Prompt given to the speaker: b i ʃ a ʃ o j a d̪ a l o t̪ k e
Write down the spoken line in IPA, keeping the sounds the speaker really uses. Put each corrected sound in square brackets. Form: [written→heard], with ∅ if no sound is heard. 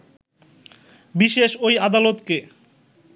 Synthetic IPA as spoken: b i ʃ [a→e] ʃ o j a d̪ a l o t̪ k e